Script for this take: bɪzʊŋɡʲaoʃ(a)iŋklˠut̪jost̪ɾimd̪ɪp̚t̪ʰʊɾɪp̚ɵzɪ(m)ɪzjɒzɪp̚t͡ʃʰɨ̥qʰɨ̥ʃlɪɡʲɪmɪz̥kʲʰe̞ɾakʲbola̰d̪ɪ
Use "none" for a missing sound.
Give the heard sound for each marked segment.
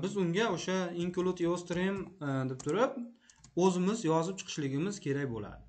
a, m

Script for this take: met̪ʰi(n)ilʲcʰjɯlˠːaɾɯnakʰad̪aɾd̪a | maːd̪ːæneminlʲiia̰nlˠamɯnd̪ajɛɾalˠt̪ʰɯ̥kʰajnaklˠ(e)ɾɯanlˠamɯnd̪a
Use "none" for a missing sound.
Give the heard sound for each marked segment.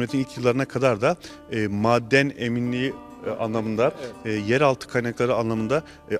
n, a

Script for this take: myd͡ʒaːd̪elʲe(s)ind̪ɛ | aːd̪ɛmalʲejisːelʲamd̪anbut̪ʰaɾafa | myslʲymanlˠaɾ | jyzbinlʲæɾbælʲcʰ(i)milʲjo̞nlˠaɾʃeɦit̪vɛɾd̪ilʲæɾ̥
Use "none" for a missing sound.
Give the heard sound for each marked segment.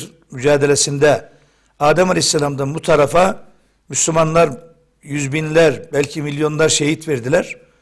s, i

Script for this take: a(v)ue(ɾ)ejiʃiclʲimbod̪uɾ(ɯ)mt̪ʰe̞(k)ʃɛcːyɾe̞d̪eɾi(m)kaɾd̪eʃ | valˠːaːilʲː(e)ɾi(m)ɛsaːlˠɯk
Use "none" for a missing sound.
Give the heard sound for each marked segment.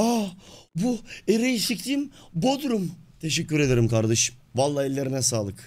b, ɾ, u, none, m, e, n

